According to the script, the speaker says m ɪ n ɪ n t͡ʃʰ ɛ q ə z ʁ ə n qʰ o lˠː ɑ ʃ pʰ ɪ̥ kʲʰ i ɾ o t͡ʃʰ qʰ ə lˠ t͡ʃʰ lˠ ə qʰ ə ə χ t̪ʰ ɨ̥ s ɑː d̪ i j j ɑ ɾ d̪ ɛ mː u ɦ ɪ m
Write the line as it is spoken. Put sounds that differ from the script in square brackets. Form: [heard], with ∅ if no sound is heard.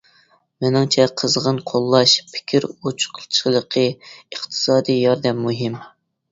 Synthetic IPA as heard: m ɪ n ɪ [ŋ] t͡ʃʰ ɛ [qʰ] ə z ʁ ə n qʰ o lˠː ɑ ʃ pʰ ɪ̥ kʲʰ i ɾ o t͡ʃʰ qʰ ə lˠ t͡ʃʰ lˠ ə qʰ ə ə χ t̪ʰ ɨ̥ s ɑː d̪ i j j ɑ ɾ d̪ ɛ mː u ɦ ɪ m

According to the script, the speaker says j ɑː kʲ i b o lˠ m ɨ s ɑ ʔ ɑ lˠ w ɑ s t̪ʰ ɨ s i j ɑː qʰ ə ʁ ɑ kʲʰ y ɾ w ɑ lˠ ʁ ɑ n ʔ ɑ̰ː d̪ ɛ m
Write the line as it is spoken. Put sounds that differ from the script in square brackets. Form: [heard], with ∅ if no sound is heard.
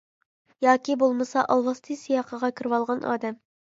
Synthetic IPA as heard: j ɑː kʲ i b o lˠ m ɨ s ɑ ʔ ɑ lˠ w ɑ s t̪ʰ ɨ s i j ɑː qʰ ə ʁ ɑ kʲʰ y ɾ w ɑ lˠ ʁ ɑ n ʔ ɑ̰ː d̪ ɛ m

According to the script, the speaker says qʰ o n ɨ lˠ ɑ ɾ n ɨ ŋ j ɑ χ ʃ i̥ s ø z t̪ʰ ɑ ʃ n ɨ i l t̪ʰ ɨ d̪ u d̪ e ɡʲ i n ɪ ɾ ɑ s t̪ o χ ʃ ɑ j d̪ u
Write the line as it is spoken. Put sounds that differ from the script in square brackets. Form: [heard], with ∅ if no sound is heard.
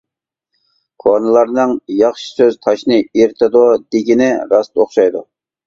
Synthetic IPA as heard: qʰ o n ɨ lˠ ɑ ɾ n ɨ ŋ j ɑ χ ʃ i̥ s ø z t̪ʰ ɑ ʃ n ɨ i [ɾ] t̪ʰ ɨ d̪ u d̪ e ɡʲ i n ɪ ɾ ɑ s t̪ o χ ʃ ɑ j d̪ u

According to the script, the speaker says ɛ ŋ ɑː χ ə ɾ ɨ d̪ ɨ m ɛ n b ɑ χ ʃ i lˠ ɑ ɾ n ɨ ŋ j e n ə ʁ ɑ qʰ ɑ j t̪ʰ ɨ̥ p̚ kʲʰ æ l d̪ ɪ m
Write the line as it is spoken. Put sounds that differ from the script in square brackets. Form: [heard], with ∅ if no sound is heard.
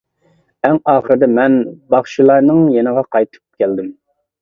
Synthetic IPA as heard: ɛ ŋ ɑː χ ə ɾ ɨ d̪ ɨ m ɛ n b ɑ χ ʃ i lˠ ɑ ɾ n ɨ ŋ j e n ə ʁ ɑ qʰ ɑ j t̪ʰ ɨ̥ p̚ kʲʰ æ l d̪ ɪ m

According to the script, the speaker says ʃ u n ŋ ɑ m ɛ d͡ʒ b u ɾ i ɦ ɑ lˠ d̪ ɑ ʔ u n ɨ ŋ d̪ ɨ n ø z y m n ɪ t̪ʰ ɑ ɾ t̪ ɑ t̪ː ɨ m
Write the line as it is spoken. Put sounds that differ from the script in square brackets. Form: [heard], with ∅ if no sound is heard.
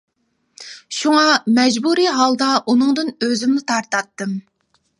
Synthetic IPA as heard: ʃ u [∅] ŋ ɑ m ɛ d͡ʒ b u ɾ i ɦ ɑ lˠ d̪ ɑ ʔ u n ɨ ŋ d̪ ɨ n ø z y m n ɪ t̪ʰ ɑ ɾ t̪ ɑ t̪ː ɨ m

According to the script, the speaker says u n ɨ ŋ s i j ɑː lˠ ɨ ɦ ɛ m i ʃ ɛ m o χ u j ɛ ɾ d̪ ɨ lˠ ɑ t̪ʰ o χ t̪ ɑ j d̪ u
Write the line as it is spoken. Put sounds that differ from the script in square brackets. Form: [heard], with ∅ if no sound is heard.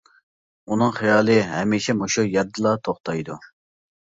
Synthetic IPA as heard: u n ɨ ŋ [χ] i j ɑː lˠ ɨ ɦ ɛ m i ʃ ɛ m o [ʃ] u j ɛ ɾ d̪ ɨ lˠ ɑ t̪ʰ o χ t̪ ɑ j d̪ u

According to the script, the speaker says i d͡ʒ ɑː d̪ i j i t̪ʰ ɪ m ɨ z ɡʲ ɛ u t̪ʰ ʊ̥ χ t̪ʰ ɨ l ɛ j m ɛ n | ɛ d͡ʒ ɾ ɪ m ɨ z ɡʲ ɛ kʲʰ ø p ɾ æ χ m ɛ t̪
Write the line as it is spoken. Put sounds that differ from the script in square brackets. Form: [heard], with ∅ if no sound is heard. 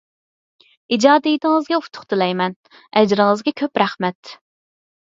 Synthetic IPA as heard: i d͡ʒ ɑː d̪ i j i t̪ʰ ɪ [ŋ] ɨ z ɡʲ ɛ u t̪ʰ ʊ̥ χ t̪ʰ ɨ l ɛ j m ɛ n | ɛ d͡ʒ ɾ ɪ [ŋ] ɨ z ɡʲ ɛ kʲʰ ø p ɾ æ χ m ɛ t̪

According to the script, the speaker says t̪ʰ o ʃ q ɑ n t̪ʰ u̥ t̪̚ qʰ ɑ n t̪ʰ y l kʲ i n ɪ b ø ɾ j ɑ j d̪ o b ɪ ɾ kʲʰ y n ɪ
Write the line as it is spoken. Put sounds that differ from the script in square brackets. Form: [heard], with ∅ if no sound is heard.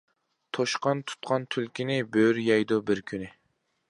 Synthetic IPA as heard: t̪ʰ o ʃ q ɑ n t̪ʰ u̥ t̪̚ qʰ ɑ n t̪ʰ y l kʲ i n ɪ b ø ɾ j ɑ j d̪ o b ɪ ɾ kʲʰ y n ɪ

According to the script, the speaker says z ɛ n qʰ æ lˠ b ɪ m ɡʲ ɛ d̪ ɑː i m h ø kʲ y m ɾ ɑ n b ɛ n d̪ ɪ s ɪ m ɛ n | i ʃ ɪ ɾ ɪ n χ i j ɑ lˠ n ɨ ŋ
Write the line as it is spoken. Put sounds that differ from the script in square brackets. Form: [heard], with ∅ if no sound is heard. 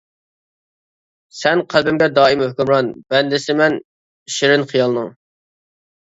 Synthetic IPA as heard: [s] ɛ n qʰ æ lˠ b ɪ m ɡʲ ɛ d̪ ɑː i m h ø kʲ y m ɾ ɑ n b ɛ n d̪ ɪ s ɪ m ɛ n | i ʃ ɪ ɾ ɪ n χ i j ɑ lˠ n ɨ ŋ

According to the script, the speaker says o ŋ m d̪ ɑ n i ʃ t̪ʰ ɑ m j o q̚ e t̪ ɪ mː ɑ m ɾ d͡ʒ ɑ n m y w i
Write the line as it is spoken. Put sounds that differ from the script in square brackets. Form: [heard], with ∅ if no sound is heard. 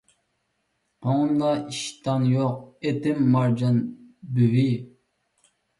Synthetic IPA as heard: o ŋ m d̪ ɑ [∅] i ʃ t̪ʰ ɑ [n] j o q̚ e t̪ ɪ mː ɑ [∅] ɾ d͡ʒ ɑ n [b] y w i

